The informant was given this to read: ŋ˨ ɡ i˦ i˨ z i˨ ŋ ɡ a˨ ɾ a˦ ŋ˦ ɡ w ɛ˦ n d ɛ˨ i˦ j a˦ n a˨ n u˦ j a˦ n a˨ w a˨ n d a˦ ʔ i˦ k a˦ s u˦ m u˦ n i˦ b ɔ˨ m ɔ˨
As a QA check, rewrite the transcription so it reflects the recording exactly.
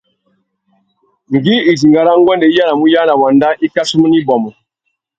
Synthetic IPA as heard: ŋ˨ ɡ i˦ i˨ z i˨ ŋ ɡ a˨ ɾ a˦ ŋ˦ ɡ w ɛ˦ n d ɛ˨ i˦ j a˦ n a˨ m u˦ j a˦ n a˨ w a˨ n d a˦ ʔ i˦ k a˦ s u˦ m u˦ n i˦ b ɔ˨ m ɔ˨